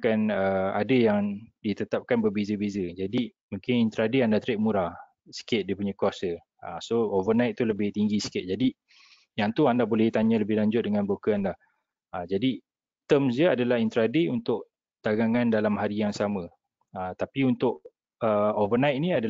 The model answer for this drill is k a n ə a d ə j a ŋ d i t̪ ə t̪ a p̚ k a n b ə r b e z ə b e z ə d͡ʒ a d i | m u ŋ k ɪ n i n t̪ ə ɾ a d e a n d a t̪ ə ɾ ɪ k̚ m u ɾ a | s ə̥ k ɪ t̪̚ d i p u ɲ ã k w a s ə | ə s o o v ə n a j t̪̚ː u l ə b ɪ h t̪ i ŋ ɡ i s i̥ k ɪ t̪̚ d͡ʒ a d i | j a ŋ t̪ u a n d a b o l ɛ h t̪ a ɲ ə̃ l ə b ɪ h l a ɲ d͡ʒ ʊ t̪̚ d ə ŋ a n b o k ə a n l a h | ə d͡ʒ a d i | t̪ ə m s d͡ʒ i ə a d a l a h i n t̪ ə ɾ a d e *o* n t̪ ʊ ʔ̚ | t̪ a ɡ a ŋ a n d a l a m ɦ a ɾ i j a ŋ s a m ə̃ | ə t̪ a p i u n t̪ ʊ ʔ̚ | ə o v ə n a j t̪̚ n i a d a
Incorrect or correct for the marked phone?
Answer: incorrect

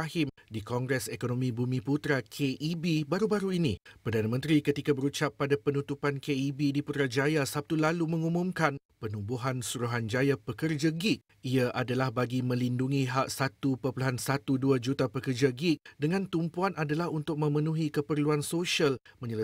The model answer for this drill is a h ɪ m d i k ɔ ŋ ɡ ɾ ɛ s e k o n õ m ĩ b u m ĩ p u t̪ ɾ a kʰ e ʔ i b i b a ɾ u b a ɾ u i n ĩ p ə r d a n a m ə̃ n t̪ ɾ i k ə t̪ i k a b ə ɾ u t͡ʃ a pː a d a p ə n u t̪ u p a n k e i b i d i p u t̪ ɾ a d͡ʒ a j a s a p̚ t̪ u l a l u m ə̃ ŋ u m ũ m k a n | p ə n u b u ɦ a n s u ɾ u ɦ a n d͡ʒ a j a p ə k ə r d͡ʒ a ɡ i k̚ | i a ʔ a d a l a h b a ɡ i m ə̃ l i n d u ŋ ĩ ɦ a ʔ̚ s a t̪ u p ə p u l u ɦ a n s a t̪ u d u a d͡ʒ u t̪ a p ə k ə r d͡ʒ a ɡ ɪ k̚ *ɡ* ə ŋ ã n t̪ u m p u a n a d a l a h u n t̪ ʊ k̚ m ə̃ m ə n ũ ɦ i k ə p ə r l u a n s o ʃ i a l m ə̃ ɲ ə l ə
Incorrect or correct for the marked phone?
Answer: incorrect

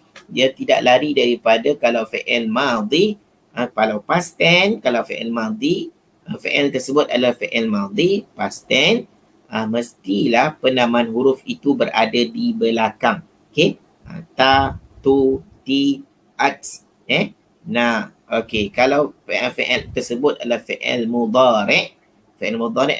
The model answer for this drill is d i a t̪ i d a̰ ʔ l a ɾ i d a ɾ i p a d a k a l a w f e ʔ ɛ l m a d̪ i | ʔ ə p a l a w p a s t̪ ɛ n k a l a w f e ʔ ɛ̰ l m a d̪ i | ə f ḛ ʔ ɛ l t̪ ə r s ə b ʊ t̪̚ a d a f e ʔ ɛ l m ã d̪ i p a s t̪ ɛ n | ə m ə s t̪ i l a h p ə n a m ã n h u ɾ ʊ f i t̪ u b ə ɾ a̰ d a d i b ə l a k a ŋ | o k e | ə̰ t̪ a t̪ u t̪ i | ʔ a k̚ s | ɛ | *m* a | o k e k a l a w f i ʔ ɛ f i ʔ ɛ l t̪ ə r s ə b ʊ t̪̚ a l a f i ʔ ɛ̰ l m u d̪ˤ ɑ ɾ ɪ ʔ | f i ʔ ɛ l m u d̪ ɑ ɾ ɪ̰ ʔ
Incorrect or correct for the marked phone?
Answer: incorrect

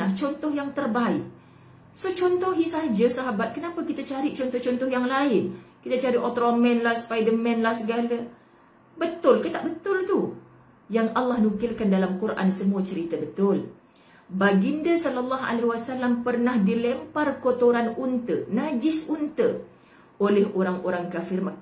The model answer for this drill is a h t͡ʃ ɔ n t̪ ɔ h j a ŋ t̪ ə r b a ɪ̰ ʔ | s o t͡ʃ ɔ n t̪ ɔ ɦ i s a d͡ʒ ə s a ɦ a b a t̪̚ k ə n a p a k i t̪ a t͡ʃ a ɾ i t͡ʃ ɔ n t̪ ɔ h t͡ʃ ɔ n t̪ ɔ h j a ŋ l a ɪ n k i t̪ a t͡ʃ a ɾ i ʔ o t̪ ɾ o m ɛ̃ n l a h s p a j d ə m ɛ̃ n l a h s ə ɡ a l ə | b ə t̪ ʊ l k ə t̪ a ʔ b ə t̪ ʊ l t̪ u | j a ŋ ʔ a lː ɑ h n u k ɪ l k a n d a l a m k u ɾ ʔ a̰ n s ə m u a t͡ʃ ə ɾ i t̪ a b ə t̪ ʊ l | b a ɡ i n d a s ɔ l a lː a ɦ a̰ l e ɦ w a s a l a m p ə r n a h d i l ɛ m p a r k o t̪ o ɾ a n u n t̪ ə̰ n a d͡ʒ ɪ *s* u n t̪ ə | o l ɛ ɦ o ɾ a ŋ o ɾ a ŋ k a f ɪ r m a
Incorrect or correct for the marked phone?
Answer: correct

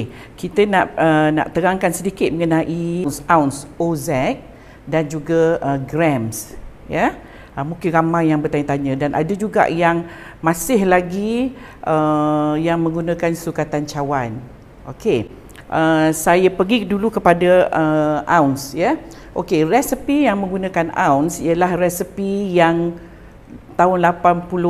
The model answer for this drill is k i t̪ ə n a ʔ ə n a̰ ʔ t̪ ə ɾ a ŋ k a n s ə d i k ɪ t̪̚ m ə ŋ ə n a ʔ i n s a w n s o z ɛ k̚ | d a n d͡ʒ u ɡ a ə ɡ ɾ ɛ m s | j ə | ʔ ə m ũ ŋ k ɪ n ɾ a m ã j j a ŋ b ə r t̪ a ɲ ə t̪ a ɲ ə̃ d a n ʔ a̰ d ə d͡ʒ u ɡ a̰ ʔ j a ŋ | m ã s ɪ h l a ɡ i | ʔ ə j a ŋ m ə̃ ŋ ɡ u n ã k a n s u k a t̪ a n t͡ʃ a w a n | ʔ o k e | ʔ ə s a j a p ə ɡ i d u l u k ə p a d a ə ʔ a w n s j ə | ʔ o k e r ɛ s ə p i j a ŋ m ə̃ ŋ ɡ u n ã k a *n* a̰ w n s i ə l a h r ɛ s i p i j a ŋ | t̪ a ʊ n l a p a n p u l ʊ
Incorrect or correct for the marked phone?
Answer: correct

